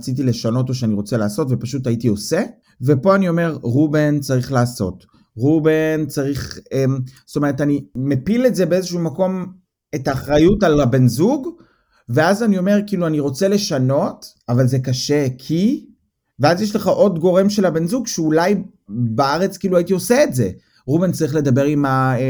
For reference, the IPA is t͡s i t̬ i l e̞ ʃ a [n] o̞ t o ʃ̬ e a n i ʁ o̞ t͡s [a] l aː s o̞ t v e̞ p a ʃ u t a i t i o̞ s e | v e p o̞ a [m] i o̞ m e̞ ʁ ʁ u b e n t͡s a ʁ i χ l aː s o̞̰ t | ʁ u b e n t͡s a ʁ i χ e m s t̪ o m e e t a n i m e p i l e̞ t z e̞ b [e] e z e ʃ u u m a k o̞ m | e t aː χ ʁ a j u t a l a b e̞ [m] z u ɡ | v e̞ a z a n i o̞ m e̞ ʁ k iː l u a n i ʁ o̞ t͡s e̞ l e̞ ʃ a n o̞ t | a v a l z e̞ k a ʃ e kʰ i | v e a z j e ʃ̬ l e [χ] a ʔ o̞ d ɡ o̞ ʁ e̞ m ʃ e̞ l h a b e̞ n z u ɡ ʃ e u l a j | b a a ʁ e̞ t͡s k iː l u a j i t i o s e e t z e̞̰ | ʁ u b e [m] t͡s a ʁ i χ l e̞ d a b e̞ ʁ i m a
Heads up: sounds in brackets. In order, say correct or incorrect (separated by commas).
correct, incorrect, incorrect, correct, incorrect, correct, incorrect